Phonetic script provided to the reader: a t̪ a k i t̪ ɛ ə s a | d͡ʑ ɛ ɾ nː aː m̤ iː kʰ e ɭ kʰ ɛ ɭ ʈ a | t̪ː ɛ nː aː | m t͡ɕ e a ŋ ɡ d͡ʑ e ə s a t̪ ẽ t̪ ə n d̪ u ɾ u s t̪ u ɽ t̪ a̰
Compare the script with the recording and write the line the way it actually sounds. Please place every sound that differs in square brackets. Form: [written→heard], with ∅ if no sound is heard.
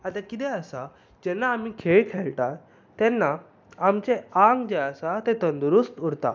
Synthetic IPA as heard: a t̪ a k i t̪ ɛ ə s a | d͡ʑ ɛ [ɾ→∅] nː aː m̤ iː kʰ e ɭ kʰ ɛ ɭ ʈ a | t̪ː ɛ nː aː | m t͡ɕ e a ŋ ɡ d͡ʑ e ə s a t̪ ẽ t̪ ə n d̪ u ɾ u s t̪ u ɽ t̪ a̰